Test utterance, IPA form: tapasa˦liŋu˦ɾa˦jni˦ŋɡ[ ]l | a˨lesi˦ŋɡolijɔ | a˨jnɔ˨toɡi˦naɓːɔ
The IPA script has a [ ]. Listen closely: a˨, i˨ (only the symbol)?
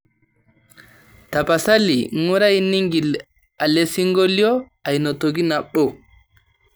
i˨